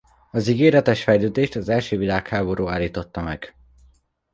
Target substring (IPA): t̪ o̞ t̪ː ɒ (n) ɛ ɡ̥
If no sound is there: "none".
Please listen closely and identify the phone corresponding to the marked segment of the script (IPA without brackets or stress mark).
m